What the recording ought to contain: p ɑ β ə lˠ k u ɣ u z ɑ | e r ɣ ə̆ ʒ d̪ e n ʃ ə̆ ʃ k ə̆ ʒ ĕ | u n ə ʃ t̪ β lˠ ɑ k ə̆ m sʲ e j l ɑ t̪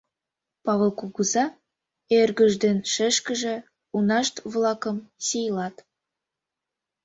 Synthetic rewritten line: p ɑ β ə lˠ k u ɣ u z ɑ | e r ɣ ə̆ ʒ d̪ e n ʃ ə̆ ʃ k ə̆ ʒ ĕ | u n ɑ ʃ t̪ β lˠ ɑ k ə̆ m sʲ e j l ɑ t̪

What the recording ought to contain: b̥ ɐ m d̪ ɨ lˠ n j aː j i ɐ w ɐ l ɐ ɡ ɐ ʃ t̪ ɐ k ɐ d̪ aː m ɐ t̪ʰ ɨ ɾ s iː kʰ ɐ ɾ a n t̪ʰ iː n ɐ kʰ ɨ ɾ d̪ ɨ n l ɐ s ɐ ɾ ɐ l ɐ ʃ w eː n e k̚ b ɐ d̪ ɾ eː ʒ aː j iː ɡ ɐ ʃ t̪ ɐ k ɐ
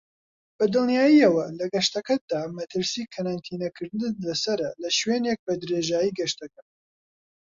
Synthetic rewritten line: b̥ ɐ d̪ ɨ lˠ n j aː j i ɐ w ɐ l ɐ ɡ ɐ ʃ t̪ ɐ k ɐ d̪ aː m ɐ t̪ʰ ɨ ɾ s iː kʰ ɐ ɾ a n t̪ʰ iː n ɐ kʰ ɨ ɾ d̪ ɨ n l ɐ s ɐ ɾ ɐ l ɐ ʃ w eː n e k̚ b ɐ d̪ ɾ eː ʒ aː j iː ɡ ɐ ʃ t̪ ɐ k ɐ

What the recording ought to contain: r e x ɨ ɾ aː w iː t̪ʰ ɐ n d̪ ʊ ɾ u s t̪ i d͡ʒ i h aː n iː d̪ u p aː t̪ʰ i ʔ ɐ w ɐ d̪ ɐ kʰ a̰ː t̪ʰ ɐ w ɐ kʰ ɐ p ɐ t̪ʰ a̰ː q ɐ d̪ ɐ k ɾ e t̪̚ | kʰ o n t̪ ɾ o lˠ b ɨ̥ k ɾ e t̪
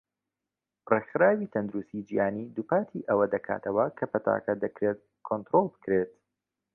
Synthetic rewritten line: r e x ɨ ɾ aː w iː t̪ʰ ɐ n d̪ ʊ ɾ u s t̪ i d͡ʒ i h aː n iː d̪ u p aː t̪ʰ i ʔ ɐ w ɐ d̪ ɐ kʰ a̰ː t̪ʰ ɐ w ɐ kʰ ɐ p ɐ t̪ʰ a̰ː k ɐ d̪ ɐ k ɾ e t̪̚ | kʰ o n t̪ ɾ o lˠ b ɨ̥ k ɾ e t̪

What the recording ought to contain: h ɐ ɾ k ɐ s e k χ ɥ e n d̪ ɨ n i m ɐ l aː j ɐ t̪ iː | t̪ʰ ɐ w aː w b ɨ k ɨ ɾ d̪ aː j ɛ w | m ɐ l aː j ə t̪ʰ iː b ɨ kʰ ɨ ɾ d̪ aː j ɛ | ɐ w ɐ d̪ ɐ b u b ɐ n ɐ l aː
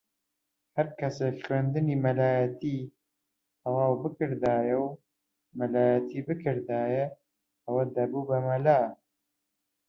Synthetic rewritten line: h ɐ ɾ k ɐ s e k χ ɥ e n d̪ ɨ n i m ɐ l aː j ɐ t̪ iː | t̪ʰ ɐ w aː w b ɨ k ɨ ɾ d̪ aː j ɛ w | m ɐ l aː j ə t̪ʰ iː b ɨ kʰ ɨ ɾ d̪ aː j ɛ | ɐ w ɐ d̪ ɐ b u b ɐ m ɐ l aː

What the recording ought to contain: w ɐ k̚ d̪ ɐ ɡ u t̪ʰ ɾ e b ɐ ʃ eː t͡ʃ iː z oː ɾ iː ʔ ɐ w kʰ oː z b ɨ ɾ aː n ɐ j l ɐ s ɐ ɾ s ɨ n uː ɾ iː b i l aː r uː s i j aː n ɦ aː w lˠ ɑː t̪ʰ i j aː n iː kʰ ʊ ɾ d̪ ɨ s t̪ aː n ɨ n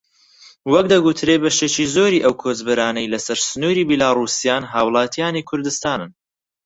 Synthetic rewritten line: w ɐ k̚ d̪ ɐ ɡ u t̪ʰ ɾ e b ɐ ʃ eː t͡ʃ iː z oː ɾ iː ʔ ɐ w kʰ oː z b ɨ ɾ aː n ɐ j l ɐ s ɐ ɾ s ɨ n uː ɾ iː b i l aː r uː s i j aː n ɦ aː w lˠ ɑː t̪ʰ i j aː n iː kʰ ʊ ɾ d̪ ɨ s t̪ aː n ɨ n

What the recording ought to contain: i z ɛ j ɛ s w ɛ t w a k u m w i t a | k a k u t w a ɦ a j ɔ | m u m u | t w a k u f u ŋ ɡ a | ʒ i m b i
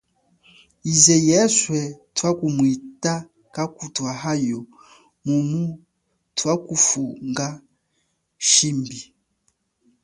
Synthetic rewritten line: i z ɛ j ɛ s w ɛ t w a k u m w i t a | k a k u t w a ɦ a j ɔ | m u m u | t w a k u f u ŋ ɡ a | ʃ i m b i

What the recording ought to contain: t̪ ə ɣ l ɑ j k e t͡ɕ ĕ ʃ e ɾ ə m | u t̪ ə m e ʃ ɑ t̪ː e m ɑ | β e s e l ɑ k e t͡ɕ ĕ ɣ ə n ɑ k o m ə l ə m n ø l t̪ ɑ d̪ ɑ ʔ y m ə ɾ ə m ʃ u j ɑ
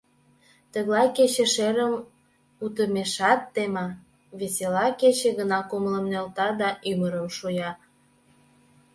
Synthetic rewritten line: t̪ ə ɣ l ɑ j k e t͡ɕ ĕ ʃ e ɾ ə m | u t̪ ə m e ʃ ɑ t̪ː e m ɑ | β e s e l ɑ k e t͡ɕ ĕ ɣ ə n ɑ k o m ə l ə m n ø l t̪ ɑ d̪ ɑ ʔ y m ə ɾ ə m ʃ u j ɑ

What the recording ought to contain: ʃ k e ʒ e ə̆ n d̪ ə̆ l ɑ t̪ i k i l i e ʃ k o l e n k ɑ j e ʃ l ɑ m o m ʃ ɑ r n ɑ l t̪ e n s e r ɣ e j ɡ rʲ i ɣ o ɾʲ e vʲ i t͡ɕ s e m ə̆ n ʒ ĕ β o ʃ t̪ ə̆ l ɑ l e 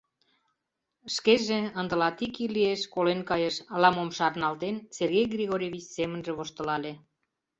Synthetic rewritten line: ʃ k e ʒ e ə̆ n d̪ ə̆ l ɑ t̪ i k i l i e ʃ k o l e n k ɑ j e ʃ l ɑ m o m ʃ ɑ r n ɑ l t̪ e n s e r ɣ e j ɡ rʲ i ɣ o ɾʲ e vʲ i t͡ɕ s e m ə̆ n ʒ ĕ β o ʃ t̪ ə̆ l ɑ l e

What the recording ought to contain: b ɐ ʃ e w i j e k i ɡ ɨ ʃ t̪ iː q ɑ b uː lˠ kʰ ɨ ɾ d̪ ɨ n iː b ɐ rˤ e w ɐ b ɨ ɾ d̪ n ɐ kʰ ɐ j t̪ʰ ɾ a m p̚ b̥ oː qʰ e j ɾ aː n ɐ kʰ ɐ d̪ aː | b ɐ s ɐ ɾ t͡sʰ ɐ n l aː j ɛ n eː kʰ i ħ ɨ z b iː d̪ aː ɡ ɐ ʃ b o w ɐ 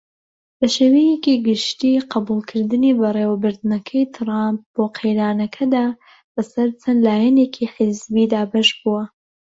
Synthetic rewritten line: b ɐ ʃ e w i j e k i ɡ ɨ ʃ t̪ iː q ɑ b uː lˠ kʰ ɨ ɾ d̪ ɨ n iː b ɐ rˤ e w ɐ b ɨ ɾ d̪ n ɐ kʰ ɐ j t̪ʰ ɾ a m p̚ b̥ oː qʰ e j ɾ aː n ɐ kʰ ɐ d̪ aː | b ɐ s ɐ ɾ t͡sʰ ɐ n l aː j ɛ n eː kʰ i ħ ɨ z b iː d̪ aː b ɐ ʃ b u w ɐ

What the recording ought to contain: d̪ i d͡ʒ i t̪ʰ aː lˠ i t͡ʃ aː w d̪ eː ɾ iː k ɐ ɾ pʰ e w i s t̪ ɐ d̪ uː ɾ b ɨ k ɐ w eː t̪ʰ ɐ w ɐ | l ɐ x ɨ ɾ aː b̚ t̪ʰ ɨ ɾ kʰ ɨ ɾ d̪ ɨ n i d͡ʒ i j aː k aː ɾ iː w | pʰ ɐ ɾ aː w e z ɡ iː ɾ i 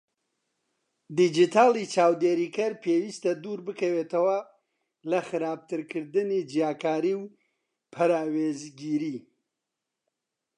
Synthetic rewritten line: d̪ i d͡ʒ i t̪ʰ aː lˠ i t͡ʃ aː w d̪ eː ɾ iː k ɐ ɾ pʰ e w i s t̪ ɐ d̪ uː ɾ b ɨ k ɐ w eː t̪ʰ ɐ w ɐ | l ɐ x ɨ ɾ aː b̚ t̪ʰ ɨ ɾ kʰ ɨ ɾ d̪ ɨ n i d͡ʒ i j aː k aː ɾ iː w | pʰ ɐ ɾ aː w e z ɡ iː ɾ i

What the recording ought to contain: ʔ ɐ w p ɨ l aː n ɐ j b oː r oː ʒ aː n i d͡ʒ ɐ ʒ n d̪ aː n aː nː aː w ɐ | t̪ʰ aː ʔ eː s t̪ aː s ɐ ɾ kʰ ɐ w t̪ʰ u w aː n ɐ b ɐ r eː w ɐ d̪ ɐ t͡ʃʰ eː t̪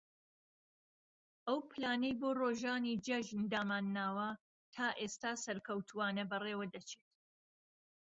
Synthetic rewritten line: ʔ ɐ w p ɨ l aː n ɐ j b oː r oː ʒ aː n i d͡ʒ ɐ ʒ n d̪ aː m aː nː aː w ɐ | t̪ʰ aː ʔ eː s t̪ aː s ɐ ɾ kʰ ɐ w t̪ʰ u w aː n ɐ b ɐ r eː w ɐ d̪ ɐ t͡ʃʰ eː t̪

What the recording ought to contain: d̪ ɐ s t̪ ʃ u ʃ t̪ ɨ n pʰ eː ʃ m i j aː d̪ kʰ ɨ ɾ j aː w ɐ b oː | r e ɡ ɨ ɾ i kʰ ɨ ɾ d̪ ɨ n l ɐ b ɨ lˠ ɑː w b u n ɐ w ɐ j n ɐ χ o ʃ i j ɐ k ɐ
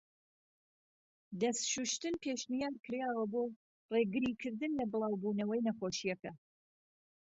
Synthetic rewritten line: d̪ ɐ s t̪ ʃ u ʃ t̪ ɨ n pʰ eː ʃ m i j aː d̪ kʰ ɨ ɾ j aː w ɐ b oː | r e ɡ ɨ ɾ i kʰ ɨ ɾ d̪ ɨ n l ɐ b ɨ lˠ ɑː w b u n ɐ w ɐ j n ɐ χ o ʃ i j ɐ k ɐ

